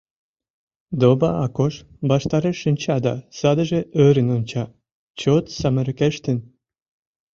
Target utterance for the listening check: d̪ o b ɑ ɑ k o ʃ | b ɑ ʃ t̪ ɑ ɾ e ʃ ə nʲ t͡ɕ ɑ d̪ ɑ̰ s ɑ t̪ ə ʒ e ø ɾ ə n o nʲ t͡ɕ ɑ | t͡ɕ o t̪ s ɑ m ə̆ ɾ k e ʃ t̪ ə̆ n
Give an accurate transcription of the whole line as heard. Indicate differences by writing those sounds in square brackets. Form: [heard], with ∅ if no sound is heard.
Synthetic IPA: d̪ o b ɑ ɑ k o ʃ | b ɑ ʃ t̪ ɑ ɾ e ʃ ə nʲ t͡ɕ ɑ d̪ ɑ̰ s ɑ [d̪] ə ʒ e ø ɾ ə n o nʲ t͡ɕ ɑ | t͡ɕ o t̪ s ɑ m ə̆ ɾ k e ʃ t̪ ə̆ n